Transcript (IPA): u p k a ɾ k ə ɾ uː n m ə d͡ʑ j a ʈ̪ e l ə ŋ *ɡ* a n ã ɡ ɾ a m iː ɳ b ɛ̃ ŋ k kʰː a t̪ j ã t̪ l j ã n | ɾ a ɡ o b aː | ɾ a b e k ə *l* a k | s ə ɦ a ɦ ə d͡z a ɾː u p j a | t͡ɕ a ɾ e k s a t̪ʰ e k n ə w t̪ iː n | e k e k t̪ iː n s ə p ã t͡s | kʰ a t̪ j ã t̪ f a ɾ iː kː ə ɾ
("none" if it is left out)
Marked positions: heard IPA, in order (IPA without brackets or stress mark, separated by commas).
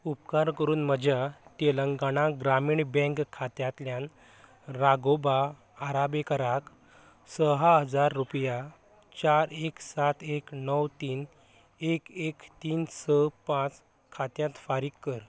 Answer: ɡ, ɾ